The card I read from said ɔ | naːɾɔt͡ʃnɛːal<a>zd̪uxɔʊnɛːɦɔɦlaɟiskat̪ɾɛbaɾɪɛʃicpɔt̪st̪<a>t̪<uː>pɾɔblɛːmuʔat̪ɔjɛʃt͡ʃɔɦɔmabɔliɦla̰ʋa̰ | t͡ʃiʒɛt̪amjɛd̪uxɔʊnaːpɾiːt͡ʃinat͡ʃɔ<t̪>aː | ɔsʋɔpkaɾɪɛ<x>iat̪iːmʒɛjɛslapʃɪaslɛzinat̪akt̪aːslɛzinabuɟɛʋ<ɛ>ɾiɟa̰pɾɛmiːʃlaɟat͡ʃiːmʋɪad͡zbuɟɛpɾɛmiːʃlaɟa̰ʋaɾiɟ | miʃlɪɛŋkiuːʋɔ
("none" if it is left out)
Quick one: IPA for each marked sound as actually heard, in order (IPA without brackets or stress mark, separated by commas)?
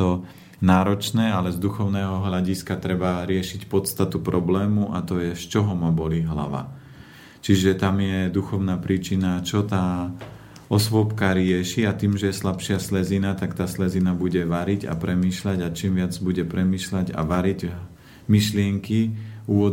ɛ, a, u, t̪, ʃ, a